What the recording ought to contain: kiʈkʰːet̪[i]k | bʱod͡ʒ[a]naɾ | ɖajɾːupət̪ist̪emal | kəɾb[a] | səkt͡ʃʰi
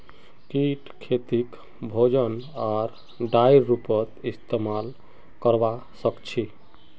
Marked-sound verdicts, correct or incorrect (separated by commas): correct, incorrect, correct